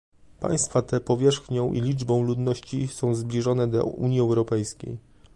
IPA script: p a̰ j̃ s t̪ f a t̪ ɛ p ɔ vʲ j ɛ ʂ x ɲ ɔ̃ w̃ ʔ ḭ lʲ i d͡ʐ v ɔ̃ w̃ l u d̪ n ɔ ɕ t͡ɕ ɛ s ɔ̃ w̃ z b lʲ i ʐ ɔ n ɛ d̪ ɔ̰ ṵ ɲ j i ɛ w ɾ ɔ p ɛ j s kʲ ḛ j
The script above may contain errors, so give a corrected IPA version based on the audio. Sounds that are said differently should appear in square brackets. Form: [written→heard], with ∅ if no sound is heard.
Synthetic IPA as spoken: p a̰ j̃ s t̪ f a t̪ ɛ p ɔ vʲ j ɛ ʂ x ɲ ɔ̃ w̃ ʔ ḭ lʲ i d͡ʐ [v→b] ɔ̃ w̃ l u d̪ n ɔ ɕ t͡ɕ [ɛ→i] s ɔ̃ w̃ z b lʲ i ʐ ɔ n ɛ d̪ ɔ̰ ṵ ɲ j i ɛ w ɾ ɔ p ɛ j s kʲ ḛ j